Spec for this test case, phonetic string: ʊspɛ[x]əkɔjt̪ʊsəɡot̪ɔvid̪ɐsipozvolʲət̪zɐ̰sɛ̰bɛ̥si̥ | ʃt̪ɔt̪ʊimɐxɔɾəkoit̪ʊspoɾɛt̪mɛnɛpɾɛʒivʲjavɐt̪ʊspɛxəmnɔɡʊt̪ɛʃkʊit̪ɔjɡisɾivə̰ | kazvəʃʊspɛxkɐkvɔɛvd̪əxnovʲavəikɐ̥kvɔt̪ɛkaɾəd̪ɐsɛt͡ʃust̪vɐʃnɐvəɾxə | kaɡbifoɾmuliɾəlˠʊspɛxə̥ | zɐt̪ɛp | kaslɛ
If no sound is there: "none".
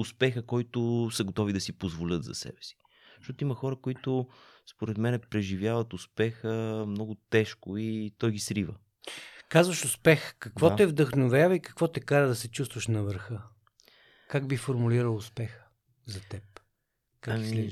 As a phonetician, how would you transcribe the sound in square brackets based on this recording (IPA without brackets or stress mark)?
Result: x